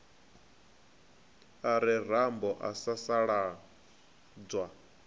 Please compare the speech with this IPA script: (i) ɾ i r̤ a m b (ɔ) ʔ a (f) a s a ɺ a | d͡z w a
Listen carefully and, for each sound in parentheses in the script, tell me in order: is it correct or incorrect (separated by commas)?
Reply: incorrect, correct, incorrect